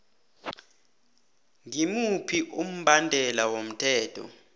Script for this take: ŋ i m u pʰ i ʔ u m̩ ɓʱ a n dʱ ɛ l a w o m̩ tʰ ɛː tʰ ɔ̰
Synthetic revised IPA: ŋ i m u pʰ i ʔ u m̩ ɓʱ a n dʱ ɛ l a w o m̩ tʰ ɛː tʰ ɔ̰